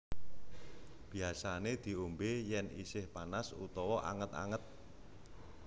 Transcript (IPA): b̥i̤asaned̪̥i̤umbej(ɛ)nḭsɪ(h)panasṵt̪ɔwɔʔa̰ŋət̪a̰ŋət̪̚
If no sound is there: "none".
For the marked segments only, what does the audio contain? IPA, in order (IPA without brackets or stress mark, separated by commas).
ɛ, h